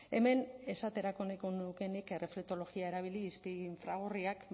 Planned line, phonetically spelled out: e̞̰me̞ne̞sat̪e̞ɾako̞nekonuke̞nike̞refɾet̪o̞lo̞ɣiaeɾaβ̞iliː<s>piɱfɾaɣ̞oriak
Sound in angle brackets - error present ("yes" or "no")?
no